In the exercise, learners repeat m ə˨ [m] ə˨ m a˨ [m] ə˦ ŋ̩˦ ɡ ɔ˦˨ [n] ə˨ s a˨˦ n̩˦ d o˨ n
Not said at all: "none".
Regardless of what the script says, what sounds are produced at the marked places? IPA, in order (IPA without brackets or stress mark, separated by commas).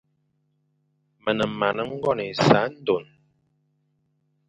n, n, n